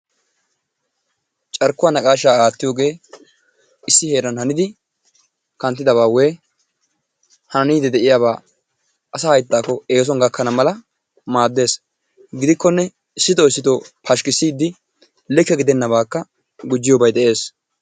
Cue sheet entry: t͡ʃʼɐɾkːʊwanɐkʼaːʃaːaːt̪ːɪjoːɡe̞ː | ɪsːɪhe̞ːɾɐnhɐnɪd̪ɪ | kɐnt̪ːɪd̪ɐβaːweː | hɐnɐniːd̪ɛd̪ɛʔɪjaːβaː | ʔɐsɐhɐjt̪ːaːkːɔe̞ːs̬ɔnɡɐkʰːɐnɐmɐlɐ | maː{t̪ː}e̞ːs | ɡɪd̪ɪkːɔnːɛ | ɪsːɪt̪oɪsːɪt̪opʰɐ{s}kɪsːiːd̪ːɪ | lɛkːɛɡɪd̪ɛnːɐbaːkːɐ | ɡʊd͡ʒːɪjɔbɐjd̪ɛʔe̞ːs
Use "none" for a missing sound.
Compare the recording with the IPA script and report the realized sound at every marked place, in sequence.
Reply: d̪ː, ʃ

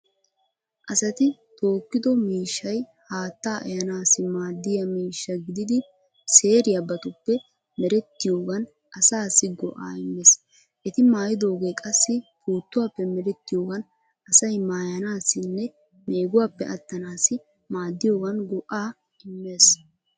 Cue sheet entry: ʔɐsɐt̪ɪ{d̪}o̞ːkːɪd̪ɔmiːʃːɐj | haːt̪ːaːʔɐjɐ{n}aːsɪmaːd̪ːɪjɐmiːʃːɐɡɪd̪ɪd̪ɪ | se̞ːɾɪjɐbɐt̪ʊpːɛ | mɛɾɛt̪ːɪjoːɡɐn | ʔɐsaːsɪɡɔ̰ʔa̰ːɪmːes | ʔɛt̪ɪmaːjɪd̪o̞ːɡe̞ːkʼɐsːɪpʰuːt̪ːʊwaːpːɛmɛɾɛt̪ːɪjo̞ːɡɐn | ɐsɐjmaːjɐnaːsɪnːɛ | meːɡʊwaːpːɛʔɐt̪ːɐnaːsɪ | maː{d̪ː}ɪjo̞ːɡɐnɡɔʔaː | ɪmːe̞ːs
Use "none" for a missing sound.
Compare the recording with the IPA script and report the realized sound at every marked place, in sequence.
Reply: t̪, n, d̪ː

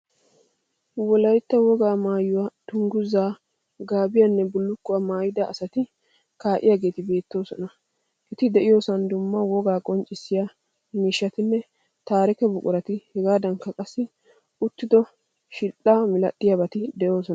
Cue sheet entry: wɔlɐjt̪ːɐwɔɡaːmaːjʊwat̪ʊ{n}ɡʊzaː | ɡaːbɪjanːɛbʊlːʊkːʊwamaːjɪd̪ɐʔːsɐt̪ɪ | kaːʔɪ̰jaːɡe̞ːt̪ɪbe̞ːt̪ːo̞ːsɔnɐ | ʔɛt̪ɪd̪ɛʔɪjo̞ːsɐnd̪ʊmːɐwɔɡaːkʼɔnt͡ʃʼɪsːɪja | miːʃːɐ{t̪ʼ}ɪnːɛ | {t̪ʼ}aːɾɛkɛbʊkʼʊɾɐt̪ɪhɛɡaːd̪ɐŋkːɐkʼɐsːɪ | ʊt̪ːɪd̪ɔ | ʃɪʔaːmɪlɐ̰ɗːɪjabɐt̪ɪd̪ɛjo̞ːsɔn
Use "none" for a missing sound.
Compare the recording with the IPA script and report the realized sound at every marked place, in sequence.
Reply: ŋ, t̪, t̪

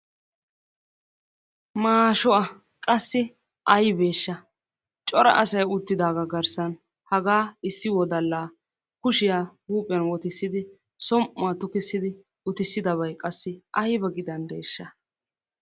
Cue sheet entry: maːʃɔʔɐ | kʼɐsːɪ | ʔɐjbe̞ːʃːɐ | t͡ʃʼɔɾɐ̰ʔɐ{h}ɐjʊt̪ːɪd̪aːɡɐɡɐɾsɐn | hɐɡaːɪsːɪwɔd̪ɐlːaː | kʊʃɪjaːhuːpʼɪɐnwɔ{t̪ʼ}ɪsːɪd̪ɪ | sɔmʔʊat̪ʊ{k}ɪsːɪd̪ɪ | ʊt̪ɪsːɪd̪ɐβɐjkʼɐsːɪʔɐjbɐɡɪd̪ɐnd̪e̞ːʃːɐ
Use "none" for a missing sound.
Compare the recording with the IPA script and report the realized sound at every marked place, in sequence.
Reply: s, t̪, k

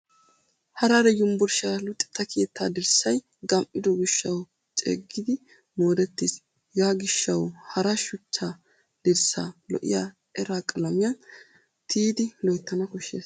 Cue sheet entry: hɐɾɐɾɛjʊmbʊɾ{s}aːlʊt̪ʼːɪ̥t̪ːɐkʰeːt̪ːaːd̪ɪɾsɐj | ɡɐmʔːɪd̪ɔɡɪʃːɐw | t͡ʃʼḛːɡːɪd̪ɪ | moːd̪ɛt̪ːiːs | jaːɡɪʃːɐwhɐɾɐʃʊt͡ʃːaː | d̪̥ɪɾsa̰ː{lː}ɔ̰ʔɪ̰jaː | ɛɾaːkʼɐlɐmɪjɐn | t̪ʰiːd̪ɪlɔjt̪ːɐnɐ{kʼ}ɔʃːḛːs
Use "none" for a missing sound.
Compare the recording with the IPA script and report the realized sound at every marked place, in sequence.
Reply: ʃ, l, k

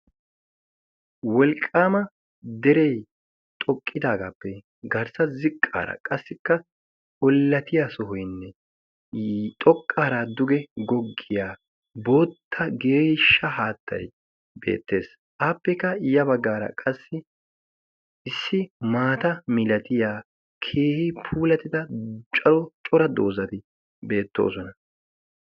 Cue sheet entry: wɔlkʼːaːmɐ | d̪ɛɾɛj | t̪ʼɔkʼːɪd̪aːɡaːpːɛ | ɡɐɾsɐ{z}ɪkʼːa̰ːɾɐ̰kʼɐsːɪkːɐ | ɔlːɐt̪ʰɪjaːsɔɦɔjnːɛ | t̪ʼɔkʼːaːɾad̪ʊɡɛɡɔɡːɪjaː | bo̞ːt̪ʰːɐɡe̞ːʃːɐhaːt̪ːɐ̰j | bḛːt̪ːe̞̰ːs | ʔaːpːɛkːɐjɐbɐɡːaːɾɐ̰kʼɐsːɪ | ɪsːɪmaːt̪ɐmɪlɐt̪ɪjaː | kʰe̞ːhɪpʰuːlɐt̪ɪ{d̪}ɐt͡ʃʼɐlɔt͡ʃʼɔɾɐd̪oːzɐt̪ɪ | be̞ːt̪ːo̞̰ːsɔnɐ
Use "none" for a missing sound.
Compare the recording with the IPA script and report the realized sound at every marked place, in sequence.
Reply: z, d̪

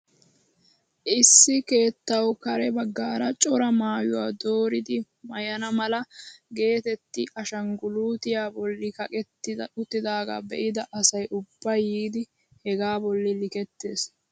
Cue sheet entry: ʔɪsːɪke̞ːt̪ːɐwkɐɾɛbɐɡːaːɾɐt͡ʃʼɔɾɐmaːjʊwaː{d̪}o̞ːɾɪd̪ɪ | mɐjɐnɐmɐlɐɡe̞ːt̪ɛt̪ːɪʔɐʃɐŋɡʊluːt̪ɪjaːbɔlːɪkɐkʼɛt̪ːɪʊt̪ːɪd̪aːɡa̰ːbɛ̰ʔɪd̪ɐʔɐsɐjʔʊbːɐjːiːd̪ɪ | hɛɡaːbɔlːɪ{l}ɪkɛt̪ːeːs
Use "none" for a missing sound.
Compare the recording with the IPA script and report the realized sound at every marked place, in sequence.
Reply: d̪, l

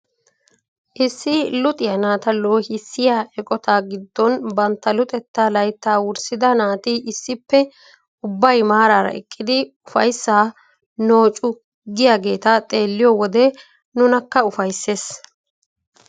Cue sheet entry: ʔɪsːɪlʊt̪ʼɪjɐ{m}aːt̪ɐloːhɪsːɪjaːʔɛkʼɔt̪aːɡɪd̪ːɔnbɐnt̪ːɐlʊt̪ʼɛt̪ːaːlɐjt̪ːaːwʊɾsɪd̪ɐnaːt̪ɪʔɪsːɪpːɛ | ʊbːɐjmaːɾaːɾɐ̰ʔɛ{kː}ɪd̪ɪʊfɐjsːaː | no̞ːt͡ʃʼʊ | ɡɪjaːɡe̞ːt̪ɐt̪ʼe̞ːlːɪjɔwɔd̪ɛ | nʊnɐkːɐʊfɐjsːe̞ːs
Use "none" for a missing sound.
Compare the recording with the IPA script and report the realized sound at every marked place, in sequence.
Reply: n, kʼː

